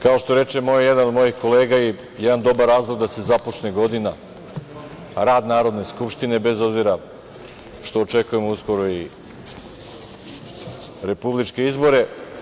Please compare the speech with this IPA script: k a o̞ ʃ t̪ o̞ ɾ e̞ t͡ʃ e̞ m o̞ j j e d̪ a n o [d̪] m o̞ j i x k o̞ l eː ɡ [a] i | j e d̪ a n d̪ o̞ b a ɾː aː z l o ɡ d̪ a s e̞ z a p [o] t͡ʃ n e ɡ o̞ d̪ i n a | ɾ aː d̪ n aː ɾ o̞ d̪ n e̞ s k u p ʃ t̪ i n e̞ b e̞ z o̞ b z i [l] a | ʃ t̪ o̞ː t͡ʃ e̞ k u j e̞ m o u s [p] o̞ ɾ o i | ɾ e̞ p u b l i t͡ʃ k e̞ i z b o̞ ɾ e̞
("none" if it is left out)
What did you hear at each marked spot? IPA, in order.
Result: d̪, a, o, ɾ, k

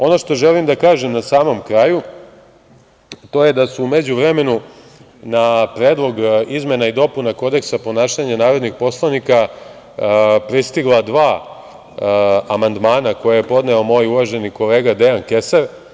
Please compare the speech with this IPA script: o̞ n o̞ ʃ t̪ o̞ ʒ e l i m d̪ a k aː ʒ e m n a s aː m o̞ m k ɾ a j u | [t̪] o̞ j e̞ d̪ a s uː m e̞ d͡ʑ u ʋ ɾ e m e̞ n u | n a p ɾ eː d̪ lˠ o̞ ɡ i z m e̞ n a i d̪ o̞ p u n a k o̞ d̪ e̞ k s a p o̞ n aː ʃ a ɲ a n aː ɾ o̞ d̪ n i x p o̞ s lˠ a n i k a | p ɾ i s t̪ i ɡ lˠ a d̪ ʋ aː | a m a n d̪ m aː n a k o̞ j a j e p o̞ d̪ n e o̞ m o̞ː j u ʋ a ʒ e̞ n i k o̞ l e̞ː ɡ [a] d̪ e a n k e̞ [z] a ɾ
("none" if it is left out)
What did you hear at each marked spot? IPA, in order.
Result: t̪, a, s

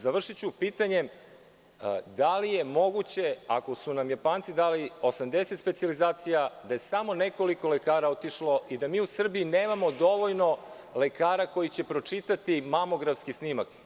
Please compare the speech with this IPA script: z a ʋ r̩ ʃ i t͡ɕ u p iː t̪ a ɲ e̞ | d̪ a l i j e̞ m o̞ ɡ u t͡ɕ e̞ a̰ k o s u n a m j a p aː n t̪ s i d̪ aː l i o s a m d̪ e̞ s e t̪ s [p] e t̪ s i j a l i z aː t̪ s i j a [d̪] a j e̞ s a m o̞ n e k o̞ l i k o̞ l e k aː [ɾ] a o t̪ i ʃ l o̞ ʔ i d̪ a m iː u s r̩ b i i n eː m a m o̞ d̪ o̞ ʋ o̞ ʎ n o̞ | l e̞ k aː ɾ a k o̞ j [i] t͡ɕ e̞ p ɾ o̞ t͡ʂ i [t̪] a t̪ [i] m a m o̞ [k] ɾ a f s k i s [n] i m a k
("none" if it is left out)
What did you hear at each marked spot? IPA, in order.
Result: p, d̪, ɾ, i, t̪, i, ɡ, n

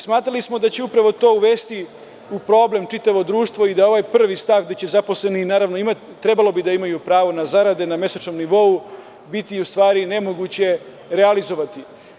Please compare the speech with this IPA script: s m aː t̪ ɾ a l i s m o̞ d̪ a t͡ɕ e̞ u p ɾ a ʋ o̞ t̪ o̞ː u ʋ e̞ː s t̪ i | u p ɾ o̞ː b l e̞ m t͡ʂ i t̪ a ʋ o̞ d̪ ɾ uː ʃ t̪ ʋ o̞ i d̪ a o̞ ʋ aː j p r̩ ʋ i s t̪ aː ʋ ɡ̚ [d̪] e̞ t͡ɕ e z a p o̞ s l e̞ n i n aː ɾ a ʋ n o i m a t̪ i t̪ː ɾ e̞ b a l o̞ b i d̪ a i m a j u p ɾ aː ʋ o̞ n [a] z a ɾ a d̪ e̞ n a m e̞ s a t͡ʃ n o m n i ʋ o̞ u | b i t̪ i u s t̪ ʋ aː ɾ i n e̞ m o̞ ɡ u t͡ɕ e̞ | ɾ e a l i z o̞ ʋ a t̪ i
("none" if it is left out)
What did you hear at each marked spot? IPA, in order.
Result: d̪, a

